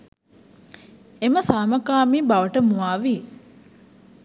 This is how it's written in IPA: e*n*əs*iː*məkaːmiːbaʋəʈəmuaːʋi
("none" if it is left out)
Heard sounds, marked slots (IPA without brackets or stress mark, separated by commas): m, aː